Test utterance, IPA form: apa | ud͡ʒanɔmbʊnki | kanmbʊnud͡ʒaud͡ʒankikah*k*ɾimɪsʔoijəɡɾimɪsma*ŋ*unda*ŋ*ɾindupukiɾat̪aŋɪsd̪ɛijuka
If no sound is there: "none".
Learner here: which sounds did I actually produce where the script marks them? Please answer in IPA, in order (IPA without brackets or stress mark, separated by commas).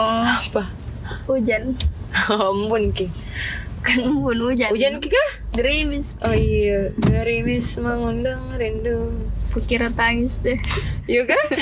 ɡ, ŋ, ŋ